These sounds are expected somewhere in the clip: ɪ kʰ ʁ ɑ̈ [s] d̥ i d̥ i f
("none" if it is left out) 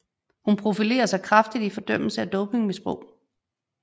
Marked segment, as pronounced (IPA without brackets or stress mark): f